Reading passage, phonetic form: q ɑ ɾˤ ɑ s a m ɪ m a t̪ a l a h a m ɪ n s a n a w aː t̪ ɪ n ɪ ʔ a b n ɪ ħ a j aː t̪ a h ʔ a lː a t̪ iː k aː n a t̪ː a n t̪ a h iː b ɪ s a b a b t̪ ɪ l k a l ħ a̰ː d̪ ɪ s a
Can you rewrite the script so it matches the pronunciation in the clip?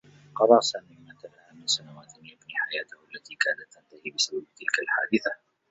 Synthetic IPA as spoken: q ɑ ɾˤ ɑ s a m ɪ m a t̪ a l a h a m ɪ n s a n a w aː t̪ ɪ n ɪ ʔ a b n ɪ ħ a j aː t̪ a h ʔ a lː a t̪ iː k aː n a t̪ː a n t̪ a h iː b ɪ s a b a b t̪ ɪ l k a l ħ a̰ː d̪ ɪ θ a